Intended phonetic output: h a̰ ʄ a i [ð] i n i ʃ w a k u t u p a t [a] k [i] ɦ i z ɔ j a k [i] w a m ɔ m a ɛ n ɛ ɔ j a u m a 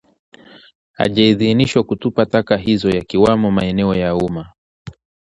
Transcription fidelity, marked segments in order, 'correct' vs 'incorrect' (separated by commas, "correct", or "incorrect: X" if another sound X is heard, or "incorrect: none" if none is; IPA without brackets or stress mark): correct, correct, incorrect: a, correct